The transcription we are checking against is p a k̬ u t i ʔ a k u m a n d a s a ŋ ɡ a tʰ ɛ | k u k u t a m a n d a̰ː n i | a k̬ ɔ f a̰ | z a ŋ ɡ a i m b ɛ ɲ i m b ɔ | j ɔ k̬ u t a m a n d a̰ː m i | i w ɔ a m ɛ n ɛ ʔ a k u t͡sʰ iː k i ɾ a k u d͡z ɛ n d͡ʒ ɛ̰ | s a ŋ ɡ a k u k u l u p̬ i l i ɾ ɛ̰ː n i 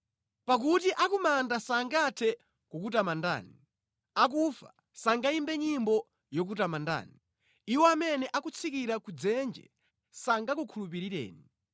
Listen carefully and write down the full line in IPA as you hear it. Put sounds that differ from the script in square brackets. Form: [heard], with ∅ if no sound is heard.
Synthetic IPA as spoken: p a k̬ u t i ʔ a k u m a n d a s a ŋ ɡ a tʰ ɛ | k u k u t a m a n d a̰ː n i | a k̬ [u] f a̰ | [s] a ŋ ɡ a i m b ɛ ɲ i m b ɔ | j ɔ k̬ u t a m a n d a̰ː [n] i | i w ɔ a m ɛ n ɛ ʔ a k u t͡sʰ [i] k i ɾ a k u d͡z ɛ n d͡ʒ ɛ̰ | s a ŋ ɡ a k u [kʰ] u l u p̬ i [ɾ] i ɾ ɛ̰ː n i